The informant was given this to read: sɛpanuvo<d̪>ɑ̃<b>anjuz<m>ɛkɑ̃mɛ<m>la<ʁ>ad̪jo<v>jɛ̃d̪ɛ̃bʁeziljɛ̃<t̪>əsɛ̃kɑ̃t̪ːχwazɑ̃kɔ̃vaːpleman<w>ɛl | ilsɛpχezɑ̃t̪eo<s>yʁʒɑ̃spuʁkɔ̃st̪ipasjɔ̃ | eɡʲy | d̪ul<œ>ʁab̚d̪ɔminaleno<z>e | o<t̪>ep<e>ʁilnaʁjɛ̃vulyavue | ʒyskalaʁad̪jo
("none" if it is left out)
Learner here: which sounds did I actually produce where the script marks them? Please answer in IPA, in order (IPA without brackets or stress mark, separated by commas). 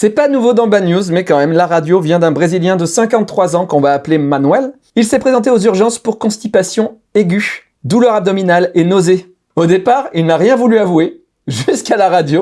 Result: d̪, b, m, m, ʁ, v, d̪, w, z, œ, z, d̪, a